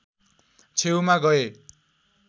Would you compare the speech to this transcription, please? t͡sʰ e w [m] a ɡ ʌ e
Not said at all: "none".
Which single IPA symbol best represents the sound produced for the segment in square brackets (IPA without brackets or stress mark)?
m